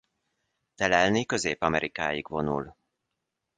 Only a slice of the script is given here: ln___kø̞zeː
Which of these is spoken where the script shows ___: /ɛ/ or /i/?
i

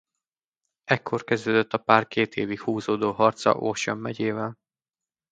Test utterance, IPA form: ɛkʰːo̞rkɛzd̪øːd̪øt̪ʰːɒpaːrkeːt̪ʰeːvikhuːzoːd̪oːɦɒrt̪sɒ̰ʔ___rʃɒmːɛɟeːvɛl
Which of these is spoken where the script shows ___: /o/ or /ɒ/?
o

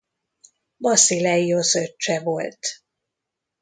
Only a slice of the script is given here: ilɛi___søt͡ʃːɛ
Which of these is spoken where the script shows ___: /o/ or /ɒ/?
o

